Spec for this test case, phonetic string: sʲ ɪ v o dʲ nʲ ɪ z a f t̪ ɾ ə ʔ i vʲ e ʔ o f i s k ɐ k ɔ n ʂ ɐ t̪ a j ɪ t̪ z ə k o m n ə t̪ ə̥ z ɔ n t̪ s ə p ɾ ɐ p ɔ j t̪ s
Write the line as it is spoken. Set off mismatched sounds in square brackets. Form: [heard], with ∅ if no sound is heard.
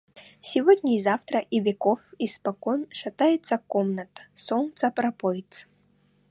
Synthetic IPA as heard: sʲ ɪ v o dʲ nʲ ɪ z a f t̪ ɾ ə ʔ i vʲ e [k] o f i s [p] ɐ k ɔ n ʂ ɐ t̪ a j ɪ t̪ [s] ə k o m n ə t̪ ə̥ [s] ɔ n t̪ s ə p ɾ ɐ p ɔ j t̪ s